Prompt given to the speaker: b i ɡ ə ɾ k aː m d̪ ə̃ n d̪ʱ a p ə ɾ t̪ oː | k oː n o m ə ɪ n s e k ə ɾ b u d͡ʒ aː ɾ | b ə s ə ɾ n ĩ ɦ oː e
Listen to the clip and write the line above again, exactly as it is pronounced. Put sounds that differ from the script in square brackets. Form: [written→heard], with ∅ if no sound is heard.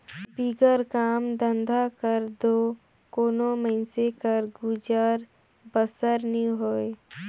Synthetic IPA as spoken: b i ɡ ə ɾ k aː m d̪ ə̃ n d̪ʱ a [p→k] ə ɾ [t̪→d̪] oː | k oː n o m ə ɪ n s e k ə ɾ [b→ɡ] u d͡ʒ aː ɾ | b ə s ə ɾ n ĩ ɦ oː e